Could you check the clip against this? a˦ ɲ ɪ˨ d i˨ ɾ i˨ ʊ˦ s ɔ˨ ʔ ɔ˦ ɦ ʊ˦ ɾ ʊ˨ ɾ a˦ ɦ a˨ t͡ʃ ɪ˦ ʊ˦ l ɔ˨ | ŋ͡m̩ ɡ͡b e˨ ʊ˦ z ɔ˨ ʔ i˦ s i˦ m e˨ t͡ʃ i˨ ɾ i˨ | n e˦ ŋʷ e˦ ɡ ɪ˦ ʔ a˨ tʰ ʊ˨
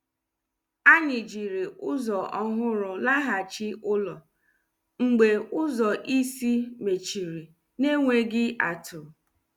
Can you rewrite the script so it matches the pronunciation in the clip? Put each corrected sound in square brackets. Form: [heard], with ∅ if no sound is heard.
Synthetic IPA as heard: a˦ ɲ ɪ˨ [d͡ʒ] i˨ ɾ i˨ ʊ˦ [z] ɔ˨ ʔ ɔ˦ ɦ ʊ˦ ɾ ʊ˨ [l] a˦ ɦ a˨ t͡ʃ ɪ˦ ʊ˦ l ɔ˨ | ŋ͡m̩ ɡ͡b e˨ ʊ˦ z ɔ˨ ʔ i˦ s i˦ m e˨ t͡ʃ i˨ ɾ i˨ | n e˦ ŋʷ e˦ ɡ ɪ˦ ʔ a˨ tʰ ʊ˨